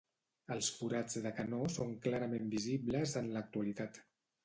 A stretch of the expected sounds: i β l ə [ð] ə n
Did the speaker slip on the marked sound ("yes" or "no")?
yes